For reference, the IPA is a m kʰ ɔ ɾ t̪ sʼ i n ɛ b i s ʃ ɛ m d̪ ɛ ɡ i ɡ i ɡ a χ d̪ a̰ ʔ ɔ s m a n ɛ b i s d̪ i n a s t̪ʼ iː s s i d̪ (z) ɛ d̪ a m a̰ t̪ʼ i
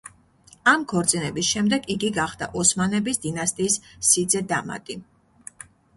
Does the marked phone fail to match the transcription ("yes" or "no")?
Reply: no